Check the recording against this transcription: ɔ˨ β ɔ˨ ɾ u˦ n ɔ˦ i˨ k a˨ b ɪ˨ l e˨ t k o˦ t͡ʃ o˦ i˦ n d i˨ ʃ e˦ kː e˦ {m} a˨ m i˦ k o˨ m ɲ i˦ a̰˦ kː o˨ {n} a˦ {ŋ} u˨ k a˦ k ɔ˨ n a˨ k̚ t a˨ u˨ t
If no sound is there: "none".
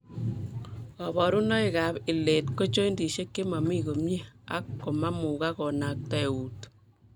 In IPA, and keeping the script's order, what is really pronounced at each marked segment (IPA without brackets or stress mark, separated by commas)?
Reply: m, m, m